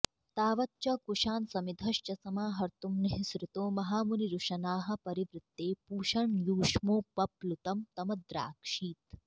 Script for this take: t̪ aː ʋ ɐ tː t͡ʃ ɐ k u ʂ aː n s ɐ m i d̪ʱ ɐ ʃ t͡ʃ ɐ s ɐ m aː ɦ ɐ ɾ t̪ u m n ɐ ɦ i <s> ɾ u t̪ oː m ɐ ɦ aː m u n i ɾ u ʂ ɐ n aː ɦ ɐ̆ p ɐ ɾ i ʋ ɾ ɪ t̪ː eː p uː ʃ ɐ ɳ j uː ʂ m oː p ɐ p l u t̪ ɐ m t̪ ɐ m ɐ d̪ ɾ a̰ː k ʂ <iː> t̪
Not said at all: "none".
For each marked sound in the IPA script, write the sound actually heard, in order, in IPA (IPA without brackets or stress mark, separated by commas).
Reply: s, iː